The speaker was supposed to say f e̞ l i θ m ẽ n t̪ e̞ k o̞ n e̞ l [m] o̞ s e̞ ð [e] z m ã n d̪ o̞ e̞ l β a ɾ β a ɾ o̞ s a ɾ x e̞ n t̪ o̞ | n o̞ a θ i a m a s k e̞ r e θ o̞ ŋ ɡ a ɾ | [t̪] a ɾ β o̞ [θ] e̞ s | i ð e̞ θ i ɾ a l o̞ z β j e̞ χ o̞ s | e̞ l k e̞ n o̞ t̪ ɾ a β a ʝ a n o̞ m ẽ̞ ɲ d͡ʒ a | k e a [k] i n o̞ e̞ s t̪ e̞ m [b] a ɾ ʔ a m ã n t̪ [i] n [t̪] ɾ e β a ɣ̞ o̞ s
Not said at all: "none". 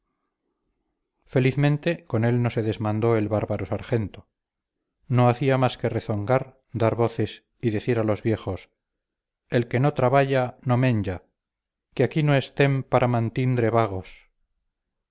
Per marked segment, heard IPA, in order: n, e, d̪, θ, k, p, i, d̪

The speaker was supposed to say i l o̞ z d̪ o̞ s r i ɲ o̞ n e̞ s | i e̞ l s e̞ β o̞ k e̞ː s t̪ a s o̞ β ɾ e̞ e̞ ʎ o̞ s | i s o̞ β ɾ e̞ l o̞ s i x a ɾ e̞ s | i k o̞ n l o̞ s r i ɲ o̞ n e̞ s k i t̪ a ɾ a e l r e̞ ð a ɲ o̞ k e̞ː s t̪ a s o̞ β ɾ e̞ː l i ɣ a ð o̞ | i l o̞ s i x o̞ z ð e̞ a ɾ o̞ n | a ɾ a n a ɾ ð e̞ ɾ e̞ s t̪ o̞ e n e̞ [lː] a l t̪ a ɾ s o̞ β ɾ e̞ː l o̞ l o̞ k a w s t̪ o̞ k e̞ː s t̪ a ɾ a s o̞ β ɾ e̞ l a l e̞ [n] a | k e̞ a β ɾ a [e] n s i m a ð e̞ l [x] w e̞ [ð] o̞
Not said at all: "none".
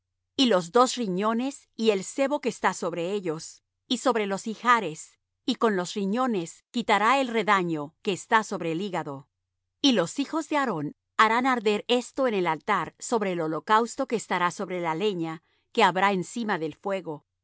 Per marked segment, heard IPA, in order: l, ɲ, e, f, ɣ

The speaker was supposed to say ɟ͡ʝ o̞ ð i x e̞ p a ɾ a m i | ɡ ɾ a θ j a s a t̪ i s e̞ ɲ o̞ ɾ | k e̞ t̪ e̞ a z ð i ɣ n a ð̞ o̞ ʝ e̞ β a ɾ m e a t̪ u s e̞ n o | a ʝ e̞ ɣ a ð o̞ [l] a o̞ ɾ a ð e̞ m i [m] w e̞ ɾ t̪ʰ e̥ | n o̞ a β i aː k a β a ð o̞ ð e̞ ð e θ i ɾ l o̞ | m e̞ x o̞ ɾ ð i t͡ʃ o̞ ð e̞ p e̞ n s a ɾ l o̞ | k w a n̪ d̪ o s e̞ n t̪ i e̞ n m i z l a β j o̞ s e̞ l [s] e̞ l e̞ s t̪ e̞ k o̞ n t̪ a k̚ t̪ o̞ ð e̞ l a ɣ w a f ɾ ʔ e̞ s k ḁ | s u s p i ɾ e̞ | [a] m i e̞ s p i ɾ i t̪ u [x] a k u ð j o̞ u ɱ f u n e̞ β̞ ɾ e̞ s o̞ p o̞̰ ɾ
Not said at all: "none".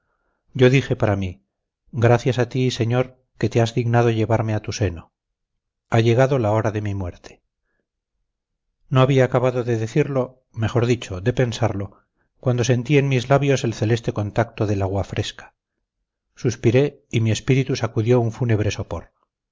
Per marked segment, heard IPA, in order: l, m, θ, i, s

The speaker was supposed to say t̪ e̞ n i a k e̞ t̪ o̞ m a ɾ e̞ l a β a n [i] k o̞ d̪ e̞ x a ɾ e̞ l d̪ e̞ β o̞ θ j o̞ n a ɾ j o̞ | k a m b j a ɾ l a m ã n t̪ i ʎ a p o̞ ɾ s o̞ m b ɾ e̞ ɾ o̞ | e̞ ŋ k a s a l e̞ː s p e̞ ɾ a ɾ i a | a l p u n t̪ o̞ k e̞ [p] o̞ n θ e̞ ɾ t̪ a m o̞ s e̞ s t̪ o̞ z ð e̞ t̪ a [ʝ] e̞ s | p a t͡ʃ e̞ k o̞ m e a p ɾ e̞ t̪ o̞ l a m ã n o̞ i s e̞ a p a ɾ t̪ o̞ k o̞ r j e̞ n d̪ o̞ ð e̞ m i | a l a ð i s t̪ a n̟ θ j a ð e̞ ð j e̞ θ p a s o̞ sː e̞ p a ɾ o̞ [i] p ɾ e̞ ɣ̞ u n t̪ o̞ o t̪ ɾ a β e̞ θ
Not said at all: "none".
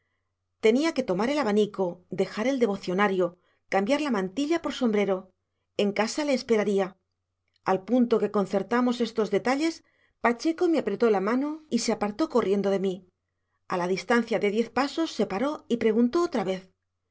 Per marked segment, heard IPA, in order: i, k, ʎ, i

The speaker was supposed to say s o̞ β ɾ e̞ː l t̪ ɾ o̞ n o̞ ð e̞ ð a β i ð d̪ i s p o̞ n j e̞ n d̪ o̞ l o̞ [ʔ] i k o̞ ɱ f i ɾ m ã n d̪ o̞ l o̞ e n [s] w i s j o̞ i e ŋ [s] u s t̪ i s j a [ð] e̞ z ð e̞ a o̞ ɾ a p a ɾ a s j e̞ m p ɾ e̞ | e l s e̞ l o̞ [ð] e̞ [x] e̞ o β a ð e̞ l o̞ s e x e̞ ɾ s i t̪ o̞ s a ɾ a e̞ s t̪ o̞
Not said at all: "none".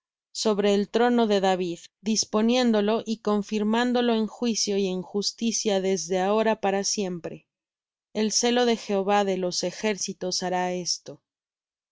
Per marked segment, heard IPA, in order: ʔ, x, x, ð, ð, x

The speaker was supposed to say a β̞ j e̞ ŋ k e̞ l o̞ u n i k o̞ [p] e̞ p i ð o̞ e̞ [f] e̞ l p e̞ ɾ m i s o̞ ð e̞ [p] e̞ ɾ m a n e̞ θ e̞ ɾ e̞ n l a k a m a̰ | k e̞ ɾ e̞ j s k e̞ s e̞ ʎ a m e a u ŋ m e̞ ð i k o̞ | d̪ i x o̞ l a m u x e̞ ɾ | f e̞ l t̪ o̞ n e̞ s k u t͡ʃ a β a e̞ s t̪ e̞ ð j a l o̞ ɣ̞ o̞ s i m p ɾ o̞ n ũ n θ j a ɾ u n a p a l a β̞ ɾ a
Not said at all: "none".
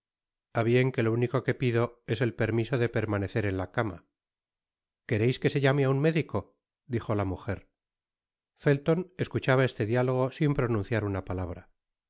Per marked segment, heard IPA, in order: k, s, p

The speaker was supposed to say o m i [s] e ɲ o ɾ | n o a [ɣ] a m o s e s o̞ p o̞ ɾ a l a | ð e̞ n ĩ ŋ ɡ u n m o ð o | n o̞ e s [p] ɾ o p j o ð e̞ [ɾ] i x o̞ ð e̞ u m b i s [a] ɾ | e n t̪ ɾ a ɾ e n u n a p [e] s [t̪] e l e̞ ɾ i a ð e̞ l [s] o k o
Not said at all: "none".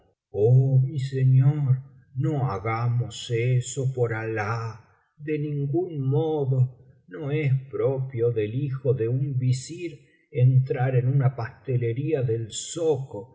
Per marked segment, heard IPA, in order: s, ɣ, p, l, i, a, t̪, s

